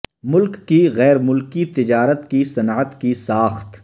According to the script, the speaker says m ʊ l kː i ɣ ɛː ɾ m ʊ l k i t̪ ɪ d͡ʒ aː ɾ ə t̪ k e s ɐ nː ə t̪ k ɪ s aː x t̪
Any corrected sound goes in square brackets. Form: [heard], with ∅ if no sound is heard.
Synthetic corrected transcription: m ʊ l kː i ɣ ɛː ɾ m ʊ l k i t̪ ɪ d͡ʒ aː ɾ ə t̪ k [i] s ɐ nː ə t̪ k [i] s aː x t̪

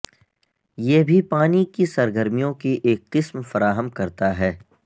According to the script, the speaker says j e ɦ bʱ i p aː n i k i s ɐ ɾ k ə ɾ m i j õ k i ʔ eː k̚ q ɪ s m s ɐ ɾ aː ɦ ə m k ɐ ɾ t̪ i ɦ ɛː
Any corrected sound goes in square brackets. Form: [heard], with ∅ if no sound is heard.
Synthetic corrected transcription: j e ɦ bʱ i p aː n i k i s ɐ ɾ [ɡ] ə ɾ m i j õ k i ʔ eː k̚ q ɪ s m [f] ɐ ɾ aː ɦ ə m k ɐ ɾ t̪ [a] ɦ ɛː

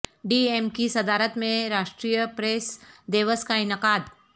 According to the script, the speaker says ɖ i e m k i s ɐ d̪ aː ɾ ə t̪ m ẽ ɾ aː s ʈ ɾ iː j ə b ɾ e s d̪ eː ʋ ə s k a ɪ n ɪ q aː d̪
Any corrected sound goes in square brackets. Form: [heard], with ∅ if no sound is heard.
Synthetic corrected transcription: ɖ i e m k i s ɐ d̪ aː ɾ ə t̪ m ẽ ɾ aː [ʃ] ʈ ɾ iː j ə [p] ɾ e s d̪ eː ʋ ə s k a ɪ n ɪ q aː d̪

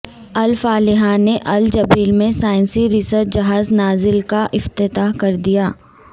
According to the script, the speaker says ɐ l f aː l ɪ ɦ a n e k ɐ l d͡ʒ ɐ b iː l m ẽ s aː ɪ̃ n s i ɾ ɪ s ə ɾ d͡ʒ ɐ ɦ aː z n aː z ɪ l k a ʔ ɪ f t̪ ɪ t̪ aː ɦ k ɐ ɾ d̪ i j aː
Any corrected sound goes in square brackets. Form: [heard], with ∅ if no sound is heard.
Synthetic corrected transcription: ɐ l f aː l ɪ ɦ a n e [ʔ] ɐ l d͡ʒ ɐ b iː l m ẽ s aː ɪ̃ n s i ɾ ɪ s ə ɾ d͡ʒ ɐ ɦ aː z n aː z ɪ l k a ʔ ɪ f t̪ ɪ t̪ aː ɦ k ɐ ɾ d̪ i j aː

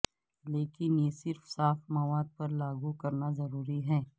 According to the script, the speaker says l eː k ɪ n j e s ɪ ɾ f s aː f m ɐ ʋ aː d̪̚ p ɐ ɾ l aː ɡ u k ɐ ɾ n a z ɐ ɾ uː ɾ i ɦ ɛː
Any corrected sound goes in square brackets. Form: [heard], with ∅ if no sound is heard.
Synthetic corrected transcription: l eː k ɪ n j e s ɪ ɾ f s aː f m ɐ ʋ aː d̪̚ p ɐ ɾ l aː ɡ u k ɐ ɾ n a z ɐ ɾ uː ɾ i ɦ ɛː

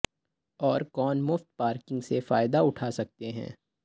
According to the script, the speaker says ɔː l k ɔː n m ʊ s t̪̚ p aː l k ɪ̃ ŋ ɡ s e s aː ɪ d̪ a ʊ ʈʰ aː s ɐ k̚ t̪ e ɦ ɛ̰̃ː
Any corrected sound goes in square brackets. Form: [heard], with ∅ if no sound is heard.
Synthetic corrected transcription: ɔː [ɾ] k ɔː n m ʊ [f] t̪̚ p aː [ɾ] k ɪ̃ ŋ ɡ s e [f] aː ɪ d̪ a ʊ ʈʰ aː s ɐ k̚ t̪ e ɦ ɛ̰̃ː

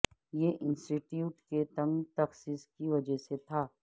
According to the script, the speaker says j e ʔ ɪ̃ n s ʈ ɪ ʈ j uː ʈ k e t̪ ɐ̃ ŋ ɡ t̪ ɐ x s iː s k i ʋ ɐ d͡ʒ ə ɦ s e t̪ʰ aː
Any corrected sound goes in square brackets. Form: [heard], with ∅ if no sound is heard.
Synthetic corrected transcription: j e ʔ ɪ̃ n s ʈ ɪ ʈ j uː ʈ k e t̪ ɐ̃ ŋ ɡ t̪ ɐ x s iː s k i ʋ ɐ d͡ʒ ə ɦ s e t̪ʰ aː

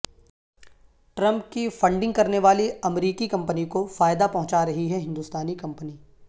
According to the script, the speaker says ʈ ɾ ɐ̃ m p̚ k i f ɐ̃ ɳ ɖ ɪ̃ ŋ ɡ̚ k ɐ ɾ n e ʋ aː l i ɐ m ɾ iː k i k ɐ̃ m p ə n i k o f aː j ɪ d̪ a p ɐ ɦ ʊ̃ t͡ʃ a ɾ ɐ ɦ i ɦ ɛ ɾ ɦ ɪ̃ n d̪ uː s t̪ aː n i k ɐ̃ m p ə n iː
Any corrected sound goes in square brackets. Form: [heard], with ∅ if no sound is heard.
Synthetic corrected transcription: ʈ ɾ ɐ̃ m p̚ k i f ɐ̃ ɳ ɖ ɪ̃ ŋ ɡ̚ k ɐ ɾ n e ʋ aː l i ɐ m ɾ iː k i k ɐ̃ m p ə n i k o f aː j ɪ d̪ a p ɐ ɦ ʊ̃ t͡ʃ a ɾ ɐ ɦ i ɦ ɛ [∅] ɦ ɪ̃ n d̪ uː s t̪ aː n i k ɐ̃ m p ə n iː

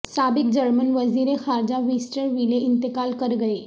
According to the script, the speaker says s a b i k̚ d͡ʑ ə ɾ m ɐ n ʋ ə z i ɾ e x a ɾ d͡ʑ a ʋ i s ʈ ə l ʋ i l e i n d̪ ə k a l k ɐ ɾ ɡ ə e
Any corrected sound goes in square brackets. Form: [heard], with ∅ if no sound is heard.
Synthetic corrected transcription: s a b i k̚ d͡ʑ ə ɾ m [ə] n ʋ ə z i ɾ e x a ɾ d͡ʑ a ʋ i s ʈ ə [ɾ] ʋ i l e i n [t̪] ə k a l k [ə] ɾ ɡ ə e

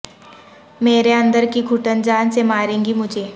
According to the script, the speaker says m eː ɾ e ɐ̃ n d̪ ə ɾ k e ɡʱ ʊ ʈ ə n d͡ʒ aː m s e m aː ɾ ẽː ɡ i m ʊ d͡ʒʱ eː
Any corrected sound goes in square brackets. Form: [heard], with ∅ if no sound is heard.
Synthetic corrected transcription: m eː ɾ e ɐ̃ n d̪ ə ɾ k [i] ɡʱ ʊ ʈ ə n d͡ʒ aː [n] s e m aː ɾ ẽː ɡ i m ʊ d͡ʒʱ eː

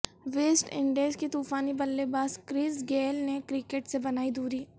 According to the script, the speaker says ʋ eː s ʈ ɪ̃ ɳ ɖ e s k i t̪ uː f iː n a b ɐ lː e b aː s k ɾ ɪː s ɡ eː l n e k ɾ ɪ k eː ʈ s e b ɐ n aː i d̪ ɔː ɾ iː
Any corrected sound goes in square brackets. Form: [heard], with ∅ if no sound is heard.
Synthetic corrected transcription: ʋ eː s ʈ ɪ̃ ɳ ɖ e s k i t̪ uː f [aː] n [i] b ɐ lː e b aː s k ɾ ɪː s ɡ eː l n e k ɾ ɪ k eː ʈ s e b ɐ n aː i d̪ [uː] ɾ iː

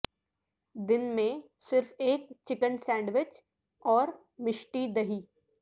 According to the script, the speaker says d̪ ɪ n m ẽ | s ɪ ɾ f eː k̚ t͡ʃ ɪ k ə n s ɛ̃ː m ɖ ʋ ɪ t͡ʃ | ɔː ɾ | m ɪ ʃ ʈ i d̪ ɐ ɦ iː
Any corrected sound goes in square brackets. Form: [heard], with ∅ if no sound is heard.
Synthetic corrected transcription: d̪ ɪ n m ẽ | s ɪ ɾ f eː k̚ t͡ʃ ɪ k ə n s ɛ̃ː [ɳ] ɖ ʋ ɪ t͡ʃ | ɔː ɾ | m ɪ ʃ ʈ i d̪ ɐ ɦ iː

